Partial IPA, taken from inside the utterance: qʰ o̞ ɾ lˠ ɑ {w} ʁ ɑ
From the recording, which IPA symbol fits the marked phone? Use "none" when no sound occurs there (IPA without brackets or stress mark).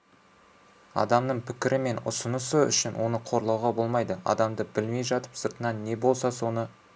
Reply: w